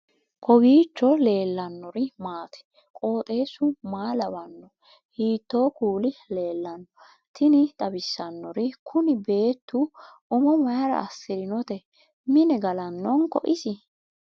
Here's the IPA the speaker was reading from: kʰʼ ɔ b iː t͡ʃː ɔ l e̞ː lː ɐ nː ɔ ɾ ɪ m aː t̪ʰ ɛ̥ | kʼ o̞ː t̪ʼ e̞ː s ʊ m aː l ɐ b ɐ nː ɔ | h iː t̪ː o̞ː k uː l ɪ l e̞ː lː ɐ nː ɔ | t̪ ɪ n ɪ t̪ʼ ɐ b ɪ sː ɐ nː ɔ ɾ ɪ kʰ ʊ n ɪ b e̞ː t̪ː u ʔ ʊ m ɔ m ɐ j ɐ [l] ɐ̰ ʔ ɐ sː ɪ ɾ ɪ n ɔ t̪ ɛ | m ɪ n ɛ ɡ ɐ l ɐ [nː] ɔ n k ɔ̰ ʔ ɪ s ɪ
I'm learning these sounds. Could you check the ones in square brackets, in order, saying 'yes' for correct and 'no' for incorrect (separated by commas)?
no, yes